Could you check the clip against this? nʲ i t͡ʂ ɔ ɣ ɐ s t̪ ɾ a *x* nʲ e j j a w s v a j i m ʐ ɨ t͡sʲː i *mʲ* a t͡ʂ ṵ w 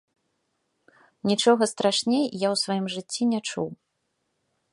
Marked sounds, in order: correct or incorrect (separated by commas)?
incorrect, incorrect